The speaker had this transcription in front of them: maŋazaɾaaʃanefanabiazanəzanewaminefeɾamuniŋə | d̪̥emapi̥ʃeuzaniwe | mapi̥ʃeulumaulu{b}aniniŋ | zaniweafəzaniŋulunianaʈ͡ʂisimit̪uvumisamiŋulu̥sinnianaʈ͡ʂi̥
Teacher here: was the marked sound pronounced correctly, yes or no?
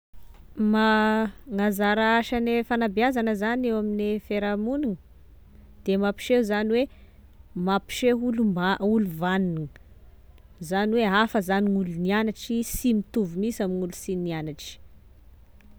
no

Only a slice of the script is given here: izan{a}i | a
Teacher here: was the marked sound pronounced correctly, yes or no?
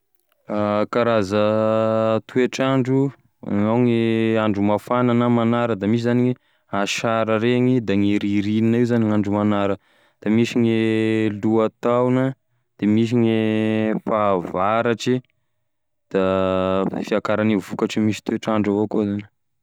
no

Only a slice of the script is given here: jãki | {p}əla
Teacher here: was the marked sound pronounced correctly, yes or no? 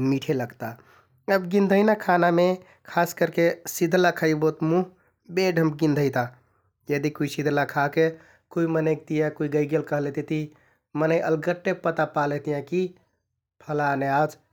no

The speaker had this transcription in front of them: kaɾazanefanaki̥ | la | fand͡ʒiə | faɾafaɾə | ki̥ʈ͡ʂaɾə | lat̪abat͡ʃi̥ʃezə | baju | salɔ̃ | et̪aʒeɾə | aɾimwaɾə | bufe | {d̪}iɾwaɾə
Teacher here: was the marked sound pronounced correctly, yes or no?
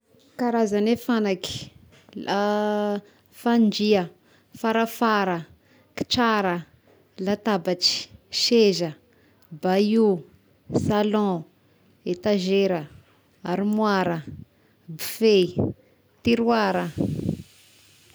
no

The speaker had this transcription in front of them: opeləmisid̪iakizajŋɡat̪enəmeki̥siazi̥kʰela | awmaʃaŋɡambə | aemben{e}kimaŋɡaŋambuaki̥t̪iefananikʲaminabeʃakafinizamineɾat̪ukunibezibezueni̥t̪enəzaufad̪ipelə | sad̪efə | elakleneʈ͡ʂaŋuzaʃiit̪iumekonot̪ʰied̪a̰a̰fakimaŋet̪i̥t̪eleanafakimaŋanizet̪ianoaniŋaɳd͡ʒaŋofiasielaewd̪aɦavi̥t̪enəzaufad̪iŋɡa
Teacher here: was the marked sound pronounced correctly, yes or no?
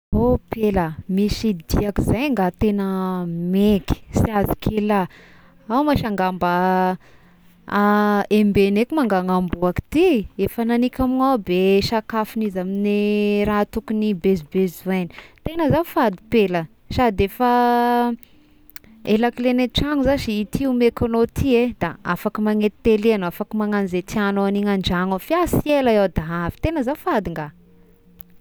yes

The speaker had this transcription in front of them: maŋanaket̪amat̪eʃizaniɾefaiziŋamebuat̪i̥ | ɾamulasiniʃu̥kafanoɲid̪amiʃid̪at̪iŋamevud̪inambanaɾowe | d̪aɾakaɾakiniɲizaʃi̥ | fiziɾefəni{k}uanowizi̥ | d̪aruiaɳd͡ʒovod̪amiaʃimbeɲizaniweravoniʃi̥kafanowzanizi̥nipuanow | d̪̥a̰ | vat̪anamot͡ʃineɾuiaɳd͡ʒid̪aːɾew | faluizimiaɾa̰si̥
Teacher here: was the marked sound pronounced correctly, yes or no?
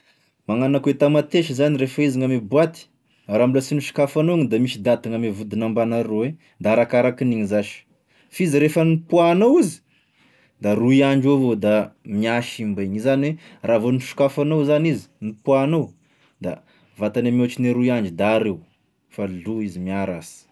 no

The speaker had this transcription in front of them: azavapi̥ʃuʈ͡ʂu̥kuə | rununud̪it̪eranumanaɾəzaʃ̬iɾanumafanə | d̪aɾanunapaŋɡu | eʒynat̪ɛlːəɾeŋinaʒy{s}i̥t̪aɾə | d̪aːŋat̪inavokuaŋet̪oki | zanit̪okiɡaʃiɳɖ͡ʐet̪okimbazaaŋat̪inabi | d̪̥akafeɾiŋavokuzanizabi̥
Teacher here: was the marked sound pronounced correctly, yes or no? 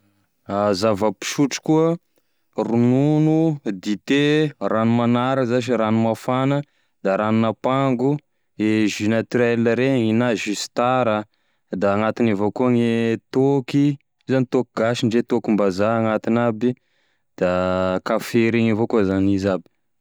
yes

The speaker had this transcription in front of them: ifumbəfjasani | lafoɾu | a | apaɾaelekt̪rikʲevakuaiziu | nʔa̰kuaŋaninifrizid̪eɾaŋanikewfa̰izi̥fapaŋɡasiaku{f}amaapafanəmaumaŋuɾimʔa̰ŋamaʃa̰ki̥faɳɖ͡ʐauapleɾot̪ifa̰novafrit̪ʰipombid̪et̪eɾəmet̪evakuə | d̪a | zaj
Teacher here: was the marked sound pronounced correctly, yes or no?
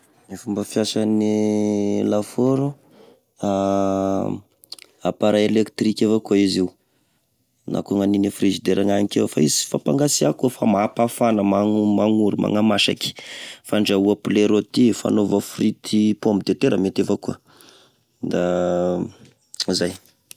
yes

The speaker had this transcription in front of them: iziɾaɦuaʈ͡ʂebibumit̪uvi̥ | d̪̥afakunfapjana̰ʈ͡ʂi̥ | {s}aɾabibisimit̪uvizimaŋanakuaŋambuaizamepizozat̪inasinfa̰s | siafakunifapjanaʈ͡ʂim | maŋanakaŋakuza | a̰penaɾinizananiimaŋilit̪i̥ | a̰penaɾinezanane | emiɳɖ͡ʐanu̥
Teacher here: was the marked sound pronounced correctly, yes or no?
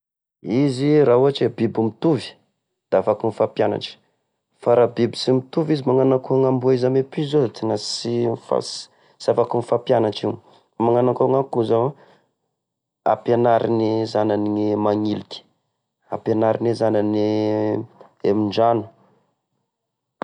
no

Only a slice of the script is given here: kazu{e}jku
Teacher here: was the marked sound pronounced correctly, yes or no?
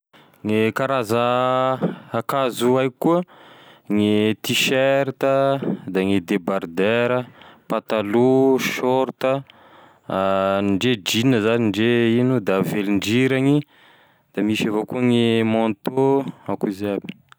no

